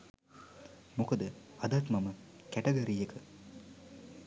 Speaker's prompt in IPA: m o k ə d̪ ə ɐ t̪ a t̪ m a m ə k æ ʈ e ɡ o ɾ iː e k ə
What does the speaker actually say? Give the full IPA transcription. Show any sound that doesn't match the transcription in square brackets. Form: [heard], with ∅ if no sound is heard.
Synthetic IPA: m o k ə d̪ ə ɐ [d̪] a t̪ m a m ə k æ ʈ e ɡ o ɾ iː e k ə

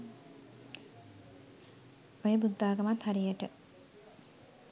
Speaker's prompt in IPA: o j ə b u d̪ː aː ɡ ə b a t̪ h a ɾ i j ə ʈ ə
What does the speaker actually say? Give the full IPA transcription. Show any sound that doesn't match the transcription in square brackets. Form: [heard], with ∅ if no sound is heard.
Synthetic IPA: o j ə b u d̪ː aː ɡ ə [m] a t̪ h a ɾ i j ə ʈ ə

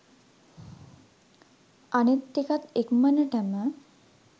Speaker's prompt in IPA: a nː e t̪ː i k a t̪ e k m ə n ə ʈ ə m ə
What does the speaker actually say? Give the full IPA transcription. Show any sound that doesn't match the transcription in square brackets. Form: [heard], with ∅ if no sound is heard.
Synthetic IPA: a [n] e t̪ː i k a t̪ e k m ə n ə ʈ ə m ə

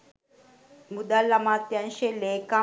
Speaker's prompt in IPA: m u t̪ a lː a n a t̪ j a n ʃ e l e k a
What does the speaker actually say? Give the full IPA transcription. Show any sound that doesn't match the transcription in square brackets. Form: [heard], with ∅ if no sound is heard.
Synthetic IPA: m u [d̪] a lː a [m] a t̪ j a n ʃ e l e k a

